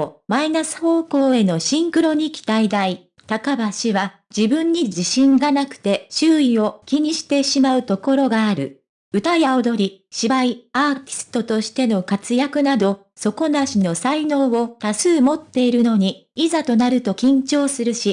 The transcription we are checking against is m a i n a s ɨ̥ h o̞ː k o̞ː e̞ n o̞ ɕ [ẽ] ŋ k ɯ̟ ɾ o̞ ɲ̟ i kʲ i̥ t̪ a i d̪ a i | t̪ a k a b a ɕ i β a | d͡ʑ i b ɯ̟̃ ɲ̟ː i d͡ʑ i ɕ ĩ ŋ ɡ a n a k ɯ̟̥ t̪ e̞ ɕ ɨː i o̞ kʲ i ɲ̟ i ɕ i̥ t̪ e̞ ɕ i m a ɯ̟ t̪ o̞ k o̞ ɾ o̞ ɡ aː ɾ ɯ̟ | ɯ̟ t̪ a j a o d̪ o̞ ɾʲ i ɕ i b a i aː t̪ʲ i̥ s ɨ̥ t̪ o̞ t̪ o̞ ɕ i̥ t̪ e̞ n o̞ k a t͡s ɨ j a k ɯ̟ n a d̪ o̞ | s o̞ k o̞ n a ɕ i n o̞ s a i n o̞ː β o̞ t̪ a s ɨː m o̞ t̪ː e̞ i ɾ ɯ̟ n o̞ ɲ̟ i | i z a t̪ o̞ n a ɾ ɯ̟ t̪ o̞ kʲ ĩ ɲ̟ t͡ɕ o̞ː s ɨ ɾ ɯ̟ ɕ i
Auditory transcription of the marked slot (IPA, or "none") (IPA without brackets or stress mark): ĩ